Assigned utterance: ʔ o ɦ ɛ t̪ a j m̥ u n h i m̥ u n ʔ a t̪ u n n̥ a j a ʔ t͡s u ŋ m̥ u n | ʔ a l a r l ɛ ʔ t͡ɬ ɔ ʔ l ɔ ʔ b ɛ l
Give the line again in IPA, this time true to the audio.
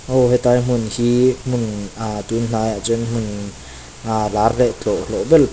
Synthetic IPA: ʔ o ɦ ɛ t̪ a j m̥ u n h i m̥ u n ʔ a t̪ u n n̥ a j a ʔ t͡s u n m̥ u n | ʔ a l a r l ɛ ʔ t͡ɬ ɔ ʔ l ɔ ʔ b ɛ l